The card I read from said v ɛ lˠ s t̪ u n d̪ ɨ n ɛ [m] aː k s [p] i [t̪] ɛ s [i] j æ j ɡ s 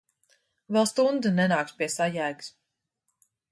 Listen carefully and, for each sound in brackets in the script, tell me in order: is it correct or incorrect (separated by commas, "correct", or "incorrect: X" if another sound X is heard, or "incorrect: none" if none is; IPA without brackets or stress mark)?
incorrect: n, correct, incorrect: none, incorrect: a